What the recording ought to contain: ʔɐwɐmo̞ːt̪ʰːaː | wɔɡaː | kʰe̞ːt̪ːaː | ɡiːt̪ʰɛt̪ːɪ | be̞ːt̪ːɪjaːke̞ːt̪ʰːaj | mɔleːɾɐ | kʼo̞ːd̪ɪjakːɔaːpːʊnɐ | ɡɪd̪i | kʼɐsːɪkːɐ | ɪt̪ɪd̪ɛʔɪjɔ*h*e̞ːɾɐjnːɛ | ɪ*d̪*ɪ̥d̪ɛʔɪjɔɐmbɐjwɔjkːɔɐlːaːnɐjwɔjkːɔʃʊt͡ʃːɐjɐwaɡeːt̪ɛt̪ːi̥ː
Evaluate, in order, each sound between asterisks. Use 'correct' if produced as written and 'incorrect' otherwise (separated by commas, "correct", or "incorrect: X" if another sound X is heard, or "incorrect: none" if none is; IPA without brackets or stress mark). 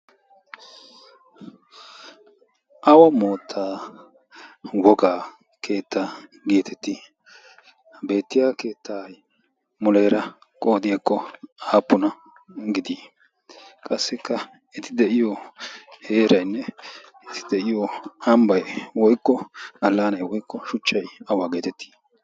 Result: correct, incorrect: t̪